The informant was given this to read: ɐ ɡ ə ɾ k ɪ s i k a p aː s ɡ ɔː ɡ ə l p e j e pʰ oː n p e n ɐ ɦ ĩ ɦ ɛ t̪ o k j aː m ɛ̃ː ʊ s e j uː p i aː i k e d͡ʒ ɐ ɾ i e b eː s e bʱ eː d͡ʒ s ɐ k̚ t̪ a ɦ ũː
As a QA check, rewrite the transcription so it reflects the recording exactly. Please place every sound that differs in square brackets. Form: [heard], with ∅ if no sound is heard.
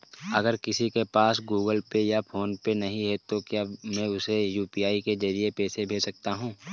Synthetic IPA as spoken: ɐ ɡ ə ɾ k ɪ s i k [e] p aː s ɡ [uː] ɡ ə l p e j [a] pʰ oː n p e n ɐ ɦ ĩ ɦ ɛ t̪ o k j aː m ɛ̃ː ʊ s e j uː p i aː i k e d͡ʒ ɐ ɾ i e [p] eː s e bʱ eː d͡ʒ s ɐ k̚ t̪ a ɦ ũː